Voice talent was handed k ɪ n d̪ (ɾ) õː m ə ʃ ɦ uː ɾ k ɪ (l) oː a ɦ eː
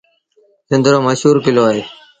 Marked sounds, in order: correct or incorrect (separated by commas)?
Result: correct, correct